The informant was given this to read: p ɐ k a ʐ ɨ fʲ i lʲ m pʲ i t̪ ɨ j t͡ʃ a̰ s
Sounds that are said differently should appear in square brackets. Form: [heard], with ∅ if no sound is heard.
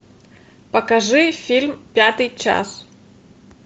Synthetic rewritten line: p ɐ k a ʐ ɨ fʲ i lʲ m pʲ [a] t̪ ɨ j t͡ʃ a̰ s